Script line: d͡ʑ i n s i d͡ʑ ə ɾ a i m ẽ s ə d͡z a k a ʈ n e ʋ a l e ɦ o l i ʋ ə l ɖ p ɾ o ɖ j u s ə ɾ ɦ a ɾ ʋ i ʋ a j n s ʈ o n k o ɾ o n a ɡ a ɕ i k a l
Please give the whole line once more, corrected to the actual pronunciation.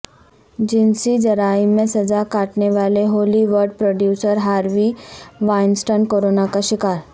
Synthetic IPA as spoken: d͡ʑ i n s i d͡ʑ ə ɾ a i m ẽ s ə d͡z a k a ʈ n e ʋ a l e ɦ o l i ʋ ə ɾ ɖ p ɾ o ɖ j u s ə ɾ ɦ a ɾ ʋ i ʋ a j n s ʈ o n k o ɾ o n a k a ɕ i k a ɾ